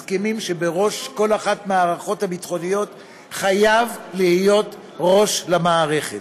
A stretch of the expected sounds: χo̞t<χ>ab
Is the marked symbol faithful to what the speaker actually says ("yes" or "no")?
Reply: no